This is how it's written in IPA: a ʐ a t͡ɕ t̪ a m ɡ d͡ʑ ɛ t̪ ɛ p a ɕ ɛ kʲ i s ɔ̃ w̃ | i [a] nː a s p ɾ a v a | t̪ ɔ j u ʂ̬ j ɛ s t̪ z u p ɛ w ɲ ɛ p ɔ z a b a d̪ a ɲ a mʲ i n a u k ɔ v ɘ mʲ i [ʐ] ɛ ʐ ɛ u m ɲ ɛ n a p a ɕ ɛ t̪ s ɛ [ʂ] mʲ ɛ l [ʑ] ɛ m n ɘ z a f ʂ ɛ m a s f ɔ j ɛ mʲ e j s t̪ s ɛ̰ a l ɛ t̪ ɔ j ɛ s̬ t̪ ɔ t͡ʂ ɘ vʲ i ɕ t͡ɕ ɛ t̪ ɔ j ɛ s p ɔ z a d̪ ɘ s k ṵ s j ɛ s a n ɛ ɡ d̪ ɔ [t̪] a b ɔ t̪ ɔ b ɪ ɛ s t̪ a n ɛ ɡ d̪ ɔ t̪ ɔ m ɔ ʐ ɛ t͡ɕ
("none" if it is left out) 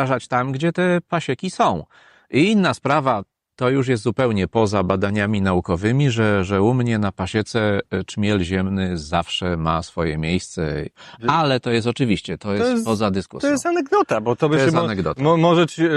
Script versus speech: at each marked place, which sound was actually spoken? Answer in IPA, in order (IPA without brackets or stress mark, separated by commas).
i, ʐ, t͡ʂ, ʑ, t̪